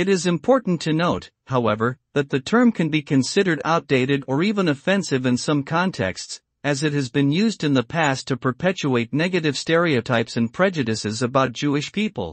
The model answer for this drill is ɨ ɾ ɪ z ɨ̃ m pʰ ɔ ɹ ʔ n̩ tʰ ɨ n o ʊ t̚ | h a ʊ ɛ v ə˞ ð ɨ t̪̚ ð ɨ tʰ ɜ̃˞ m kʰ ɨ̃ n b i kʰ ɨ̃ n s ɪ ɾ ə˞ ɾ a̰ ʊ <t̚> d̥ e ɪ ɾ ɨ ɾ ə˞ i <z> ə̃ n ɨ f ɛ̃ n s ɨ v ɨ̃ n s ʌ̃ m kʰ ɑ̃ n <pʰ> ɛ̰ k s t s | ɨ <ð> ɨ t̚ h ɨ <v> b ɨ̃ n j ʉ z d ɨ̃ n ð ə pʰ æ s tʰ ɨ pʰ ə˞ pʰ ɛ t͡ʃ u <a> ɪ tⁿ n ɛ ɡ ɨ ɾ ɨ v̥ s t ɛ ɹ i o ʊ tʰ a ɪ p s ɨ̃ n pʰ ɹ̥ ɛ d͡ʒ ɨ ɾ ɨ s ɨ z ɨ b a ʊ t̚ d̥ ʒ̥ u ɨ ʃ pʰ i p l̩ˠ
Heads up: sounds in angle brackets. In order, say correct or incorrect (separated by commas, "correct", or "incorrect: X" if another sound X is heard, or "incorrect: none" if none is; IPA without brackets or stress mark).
correct, incorrect: v, incorrect: tʰ, incorrect: z, incorrect: z, incorrect: e